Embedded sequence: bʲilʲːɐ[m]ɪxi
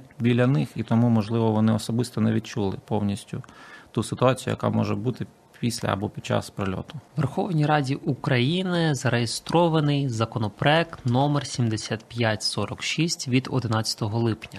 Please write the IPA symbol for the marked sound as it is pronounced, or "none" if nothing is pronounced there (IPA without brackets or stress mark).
n